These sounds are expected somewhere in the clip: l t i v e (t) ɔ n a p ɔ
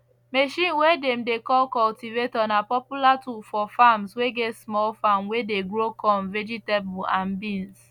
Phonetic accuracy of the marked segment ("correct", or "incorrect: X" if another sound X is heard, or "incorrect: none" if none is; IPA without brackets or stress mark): correct